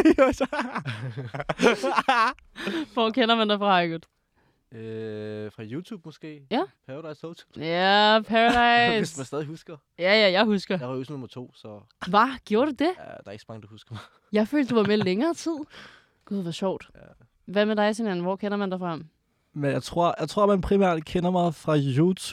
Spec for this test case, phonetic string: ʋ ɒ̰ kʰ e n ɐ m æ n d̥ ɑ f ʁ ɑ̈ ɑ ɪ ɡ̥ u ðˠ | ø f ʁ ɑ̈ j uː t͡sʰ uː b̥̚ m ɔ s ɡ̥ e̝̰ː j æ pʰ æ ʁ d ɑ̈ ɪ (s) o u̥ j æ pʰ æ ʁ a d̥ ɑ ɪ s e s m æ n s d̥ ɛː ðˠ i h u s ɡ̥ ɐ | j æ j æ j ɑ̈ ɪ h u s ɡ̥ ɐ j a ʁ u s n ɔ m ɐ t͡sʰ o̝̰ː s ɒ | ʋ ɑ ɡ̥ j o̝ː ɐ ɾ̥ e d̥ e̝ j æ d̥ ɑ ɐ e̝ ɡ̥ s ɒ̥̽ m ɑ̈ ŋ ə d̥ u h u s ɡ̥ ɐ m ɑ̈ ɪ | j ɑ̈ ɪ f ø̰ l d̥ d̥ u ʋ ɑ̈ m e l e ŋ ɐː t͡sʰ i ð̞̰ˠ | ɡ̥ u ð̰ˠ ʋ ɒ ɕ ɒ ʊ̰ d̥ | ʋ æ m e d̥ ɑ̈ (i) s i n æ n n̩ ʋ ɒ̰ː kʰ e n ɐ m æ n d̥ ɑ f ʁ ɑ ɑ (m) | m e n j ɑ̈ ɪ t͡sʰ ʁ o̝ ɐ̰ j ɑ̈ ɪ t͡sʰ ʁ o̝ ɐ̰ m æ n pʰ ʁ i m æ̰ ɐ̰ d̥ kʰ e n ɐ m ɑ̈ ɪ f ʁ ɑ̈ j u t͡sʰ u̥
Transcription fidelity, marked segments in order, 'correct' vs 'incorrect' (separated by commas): correct, incorrect, correct